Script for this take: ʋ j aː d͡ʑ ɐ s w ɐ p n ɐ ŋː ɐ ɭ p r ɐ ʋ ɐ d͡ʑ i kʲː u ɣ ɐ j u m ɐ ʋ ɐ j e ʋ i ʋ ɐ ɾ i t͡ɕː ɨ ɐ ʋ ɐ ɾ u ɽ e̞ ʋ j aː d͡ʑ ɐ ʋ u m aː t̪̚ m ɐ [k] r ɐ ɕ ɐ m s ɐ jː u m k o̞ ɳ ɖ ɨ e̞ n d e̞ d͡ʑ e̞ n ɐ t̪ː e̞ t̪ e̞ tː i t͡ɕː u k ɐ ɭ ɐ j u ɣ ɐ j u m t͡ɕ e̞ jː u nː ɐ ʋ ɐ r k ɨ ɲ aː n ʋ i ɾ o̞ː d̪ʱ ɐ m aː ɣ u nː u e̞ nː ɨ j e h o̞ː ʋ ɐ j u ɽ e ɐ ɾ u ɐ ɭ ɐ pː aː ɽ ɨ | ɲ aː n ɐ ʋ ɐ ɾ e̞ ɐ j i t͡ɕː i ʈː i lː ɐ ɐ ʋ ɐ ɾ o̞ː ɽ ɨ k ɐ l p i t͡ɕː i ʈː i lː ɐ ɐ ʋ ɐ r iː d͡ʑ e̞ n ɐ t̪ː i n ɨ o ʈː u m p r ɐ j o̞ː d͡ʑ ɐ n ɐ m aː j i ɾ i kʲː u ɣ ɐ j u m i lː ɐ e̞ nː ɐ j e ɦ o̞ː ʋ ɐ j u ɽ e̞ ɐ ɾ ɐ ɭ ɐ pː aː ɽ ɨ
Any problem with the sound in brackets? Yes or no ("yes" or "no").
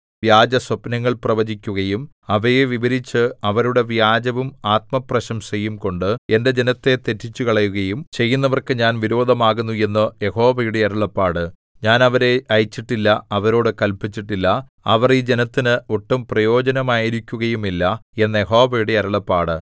yes